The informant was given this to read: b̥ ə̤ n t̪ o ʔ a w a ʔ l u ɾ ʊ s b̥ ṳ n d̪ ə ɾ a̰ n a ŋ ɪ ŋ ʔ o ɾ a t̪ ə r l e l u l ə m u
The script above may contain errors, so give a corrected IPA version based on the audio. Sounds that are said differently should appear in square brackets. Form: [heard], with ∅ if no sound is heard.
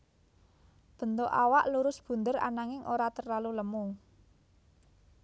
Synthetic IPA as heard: b̥ ə̤ n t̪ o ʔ a w a ʔ l u ɾ ʊ s b̥ ṳ n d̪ ə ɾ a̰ n a ŋ ɪ ŋ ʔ o ɾ a t̪ ə r l [a] l u l ə m u